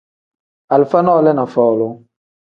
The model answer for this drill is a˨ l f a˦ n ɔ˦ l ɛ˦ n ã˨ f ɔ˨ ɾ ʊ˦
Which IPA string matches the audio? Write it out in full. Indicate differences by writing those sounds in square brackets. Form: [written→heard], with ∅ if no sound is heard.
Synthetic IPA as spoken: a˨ l f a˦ n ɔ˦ l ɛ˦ n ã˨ f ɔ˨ [ɾ→l] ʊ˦